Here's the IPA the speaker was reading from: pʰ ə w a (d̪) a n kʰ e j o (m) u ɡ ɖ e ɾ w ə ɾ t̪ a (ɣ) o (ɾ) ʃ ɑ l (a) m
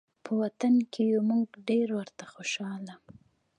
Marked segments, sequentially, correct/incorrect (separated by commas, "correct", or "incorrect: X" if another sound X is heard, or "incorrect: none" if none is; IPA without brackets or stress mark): incorrect: t̪, correct, incorrect: x, incorrect: none, correct